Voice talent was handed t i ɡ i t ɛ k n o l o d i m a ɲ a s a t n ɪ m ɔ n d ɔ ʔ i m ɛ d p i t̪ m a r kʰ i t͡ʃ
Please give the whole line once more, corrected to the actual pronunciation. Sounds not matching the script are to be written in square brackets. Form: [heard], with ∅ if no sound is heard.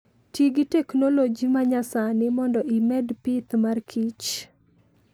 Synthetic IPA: t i ɡ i t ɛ k n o l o [d͡ʒ] i m a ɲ a s a [∅] n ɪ m ɔ n d ɔ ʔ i m ɛ d p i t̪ m a r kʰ i t͡ʃ